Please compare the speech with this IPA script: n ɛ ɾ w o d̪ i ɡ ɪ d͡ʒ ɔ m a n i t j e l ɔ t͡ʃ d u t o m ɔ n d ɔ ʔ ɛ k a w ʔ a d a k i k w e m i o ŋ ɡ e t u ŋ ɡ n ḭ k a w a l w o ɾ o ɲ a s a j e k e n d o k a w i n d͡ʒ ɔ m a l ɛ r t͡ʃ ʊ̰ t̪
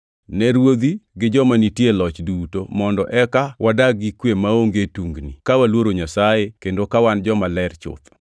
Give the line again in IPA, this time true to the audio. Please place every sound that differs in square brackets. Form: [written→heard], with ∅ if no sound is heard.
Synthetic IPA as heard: n ɛ ɾ w o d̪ i ɡ ɪ d͡ʒ ɔ m a n i t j e l ɔ t͡ʃ d u t o m ɔ n d ɔ ʔ ɛ k a w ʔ a d a [k→ɡ] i k w e m [i→a] o ŋ ɡ e t u ŋ ɡ n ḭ k a w a l w o ɾ o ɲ a s a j e k e n d o k a w [i→a] n d͡ʒ ɔ m a l ɛ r t͡ʃ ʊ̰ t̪